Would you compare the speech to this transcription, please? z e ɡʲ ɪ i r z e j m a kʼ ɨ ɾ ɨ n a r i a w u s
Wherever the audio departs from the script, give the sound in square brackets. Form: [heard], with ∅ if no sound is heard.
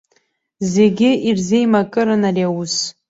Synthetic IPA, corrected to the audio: z e ɡʲ ɪ i r z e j m a kʼ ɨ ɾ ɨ n a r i a w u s